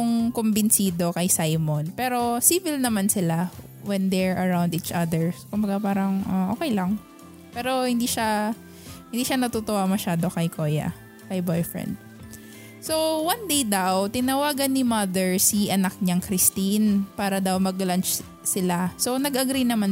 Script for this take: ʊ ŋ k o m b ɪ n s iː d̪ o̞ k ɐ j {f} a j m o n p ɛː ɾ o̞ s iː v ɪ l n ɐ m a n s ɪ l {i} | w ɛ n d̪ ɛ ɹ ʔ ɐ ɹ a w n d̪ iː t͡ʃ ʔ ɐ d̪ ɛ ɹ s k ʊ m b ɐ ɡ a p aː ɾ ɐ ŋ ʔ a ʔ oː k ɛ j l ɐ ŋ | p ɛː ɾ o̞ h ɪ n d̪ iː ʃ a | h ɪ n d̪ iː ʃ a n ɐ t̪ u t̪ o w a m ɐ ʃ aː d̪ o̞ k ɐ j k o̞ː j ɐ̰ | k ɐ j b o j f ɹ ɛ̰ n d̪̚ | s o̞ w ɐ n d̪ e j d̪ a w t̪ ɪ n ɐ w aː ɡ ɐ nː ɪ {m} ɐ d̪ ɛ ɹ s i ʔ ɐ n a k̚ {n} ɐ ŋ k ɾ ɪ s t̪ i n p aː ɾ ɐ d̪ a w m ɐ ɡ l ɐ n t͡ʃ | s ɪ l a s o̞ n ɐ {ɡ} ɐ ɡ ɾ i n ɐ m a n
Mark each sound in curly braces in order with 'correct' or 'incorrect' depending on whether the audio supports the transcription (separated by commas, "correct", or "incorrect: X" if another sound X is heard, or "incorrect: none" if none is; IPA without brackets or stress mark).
incorrect: s, incorrect: a, correct, incorrect: ɲ, correct